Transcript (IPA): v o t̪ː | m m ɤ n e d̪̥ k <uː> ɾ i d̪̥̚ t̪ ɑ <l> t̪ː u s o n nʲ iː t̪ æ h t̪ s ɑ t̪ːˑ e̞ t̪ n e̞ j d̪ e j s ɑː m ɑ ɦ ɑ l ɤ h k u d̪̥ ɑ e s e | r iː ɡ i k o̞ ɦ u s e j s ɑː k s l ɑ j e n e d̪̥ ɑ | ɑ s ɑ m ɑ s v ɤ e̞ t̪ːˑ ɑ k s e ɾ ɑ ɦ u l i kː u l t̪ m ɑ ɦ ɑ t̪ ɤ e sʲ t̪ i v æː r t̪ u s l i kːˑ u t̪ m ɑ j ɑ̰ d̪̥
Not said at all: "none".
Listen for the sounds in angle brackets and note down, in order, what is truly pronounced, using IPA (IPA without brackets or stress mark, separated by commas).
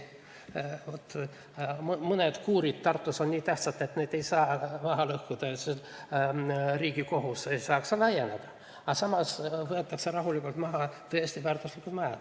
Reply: uː, r